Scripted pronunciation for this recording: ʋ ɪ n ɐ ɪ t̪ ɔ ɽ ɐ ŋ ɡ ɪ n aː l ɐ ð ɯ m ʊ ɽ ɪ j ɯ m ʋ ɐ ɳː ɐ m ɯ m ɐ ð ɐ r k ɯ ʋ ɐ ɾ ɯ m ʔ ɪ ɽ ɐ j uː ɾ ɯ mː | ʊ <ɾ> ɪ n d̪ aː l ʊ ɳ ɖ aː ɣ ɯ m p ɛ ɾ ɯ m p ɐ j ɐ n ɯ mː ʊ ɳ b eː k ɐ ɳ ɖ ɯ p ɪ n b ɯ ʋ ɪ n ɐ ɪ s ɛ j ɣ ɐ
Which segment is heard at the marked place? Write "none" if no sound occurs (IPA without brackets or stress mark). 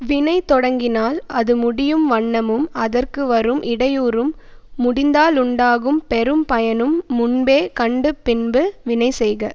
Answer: ɽ